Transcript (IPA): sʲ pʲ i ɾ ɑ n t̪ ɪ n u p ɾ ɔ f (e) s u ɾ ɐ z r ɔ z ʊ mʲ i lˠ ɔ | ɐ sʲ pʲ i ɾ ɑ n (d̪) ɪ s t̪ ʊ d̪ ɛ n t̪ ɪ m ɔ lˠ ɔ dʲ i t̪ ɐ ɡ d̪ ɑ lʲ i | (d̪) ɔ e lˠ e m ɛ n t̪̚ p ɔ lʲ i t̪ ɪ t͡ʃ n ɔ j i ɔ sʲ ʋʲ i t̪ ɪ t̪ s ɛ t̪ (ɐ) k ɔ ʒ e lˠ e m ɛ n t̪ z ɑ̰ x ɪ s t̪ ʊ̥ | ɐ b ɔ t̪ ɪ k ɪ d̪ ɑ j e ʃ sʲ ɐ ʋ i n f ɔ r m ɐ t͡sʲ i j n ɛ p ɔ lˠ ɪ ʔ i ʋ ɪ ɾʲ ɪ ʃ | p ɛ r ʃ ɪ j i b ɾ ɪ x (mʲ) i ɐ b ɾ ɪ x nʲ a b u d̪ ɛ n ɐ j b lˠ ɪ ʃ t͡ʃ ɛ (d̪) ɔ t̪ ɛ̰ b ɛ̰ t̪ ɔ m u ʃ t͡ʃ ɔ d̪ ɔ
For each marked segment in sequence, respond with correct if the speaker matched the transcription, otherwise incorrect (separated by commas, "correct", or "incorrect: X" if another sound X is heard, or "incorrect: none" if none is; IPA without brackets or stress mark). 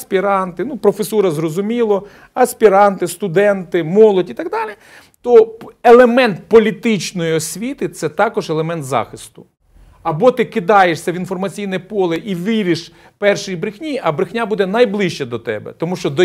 correct, incorrect: t̪, incorrect: t̪, incorrect: ɑ, incorrect: nʲ, correct